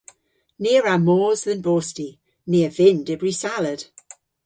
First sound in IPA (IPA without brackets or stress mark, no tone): n